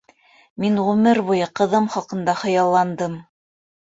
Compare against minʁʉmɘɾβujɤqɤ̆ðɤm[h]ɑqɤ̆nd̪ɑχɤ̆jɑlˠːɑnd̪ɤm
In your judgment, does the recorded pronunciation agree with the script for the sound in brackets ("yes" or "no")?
no